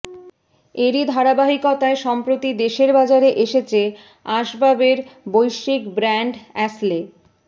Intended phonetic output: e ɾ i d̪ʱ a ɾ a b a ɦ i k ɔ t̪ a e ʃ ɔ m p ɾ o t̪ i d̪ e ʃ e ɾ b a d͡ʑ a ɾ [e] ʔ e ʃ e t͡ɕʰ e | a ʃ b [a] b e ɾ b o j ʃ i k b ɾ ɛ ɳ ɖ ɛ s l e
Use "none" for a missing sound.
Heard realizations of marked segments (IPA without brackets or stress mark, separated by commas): e, a